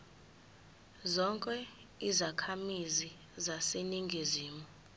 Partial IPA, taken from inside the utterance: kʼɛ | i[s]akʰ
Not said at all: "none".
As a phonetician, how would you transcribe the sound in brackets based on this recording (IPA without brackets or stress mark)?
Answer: z